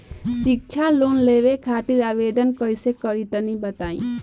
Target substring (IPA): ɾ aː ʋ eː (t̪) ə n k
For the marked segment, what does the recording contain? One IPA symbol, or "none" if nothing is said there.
d̪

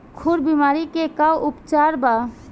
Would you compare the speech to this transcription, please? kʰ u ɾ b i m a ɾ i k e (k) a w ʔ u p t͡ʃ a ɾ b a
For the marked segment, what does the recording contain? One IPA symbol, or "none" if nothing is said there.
k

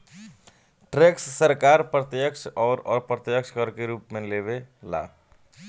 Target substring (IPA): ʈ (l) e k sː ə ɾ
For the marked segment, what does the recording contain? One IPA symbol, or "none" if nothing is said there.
ɾ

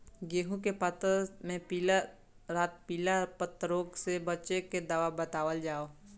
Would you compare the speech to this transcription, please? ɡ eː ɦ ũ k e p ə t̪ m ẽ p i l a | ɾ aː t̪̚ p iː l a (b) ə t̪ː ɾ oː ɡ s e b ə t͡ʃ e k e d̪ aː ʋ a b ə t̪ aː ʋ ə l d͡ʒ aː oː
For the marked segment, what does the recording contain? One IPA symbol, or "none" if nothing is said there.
p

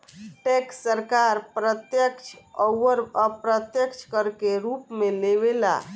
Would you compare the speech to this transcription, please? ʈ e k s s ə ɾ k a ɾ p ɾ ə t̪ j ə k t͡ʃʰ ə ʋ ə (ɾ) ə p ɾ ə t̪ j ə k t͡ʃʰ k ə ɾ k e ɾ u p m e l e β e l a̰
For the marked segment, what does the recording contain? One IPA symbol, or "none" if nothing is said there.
ɾ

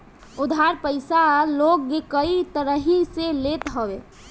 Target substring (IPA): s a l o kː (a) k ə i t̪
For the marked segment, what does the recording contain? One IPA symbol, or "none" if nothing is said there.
e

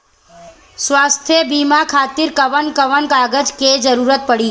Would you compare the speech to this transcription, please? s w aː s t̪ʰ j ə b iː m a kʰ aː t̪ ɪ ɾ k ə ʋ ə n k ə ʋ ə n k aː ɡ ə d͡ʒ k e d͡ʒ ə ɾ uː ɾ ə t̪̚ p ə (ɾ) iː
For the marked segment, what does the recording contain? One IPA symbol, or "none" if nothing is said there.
ɽ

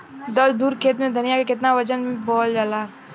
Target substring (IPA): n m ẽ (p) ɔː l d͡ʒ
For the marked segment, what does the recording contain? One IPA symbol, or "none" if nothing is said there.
b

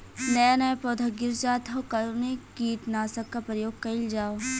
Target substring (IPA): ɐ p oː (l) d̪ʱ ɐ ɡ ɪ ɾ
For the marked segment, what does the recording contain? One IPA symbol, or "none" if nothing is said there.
none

